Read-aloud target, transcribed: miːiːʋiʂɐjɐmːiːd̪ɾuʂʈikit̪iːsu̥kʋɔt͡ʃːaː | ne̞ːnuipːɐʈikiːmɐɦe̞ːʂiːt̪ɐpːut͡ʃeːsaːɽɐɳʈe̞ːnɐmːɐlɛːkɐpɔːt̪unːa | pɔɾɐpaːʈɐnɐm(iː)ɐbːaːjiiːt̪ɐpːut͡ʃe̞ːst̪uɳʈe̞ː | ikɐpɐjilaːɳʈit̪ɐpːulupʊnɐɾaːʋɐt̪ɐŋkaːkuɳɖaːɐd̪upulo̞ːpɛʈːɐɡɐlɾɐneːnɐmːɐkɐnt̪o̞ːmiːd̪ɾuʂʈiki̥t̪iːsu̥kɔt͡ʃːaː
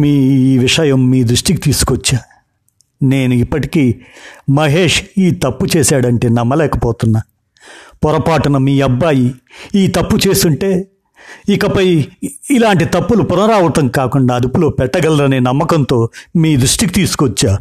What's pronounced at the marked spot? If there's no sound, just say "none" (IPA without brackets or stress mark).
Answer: iː